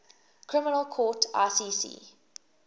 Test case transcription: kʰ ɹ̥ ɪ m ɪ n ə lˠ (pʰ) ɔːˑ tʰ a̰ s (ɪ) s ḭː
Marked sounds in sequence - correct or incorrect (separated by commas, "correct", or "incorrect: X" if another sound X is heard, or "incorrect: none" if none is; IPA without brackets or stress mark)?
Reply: incorrect: kʰ, incorrect: i